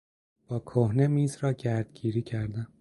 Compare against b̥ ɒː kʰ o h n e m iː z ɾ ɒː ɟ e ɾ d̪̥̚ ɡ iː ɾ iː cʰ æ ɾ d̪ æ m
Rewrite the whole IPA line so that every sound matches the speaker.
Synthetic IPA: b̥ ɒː kʰ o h n e m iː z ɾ ɒː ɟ æ ɾ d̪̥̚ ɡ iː ɾ iː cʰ æ ɾ d̪ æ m